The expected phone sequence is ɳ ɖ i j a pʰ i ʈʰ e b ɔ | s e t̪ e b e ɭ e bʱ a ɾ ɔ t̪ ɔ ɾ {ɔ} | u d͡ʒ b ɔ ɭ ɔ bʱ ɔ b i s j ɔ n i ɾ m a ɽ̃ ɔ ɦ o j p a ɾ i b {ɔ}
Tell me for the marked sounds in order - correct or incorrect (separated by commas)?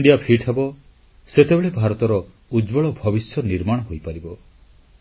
correct, correct